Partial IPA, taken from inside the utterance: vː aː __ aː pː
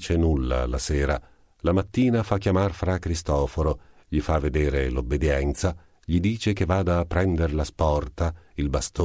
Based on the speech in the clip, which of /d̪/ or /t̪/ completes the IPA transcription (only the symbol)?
d̪